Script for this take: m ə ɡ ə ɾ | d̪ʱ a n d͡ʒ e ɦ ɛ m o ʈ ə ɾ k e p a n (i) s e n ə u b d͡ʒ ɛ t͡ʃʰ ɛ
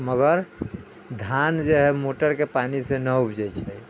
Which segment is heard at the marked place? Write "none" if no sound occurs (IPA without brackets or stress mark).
i